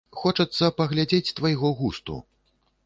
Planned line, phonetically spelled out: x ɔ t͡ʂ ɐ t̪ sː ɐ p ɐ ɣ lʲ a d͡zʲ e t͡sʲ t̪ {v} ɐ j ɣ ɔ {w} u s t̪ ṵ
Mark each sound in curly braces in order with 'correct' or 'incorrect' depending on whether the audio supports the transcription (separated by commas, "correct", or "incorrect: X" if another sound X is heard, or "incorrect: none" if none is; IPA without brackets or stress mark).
correct, incorrect: ɣ